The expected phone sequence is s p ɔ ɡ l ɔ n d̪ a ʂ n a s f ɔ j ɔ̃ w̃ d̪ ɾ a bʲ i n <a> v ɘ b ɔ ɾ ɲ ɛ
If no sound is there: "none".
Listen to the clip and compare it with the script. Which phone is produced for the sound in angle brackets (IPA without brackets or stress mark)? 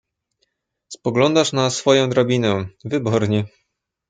ɛ